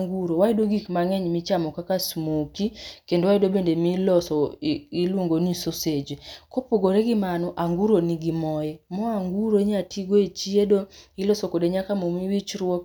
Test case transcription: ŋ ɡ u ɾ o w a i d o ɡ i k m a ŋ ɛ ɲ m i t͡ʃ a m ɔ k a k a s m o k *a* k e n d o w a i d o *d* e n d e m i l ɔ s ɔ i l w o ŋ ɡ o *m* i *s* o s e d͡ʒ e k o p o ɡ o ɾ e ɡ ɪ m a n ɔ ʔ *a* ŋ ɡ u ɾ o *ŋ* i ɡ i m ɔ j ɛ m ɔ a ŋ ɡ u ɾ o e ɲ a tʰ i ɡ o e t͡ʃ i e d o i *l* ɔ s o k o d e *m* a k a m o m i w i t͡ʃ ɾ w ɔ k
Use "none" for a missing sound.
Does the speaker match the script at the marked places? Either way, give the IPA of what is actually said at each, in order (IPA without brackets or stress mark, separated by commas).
i, b, n, s, a, n, l, ɲ